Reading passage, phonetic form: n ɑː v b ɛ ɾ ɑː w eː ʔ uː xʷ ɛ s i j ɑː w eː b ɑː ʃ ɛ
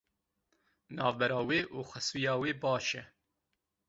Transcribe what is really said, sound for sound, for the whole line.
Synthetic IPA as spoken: n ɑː v b ɛ ɾ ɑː w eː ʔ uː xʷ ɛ s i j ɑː w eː b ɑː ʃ ɛ